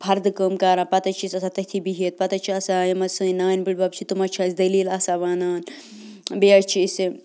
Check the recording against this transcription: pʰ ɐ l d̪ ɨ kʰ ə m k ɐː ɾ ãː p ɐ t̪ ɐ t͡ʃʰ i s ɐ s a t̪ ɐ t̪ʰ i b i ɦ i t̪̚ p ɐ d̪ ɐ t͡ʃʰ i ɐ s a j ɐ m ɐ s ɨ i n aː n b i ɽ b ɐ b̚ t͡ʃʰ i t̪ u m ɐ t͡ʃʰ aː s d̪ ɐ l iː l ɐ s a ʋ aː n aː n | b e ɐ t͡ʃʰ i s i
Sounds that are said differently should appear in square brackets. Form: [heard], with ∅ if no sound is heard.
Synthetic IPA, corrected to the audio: pʰ ɐ [ɾ] d̪ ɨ [k] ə m k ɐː ɾ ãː p ɐ t̪ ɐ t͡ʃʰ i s ɐ s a t̪ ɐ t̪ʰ i b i ɦ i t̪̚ p ɐ [t̪] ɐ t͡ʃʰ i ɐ s a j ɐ m ɐ s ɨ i n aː n b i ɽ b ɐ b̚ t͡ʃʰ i t̪ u m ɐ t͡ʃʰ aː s d̪ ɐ l iː l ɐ s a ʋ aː n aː n | b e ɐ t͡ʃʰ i s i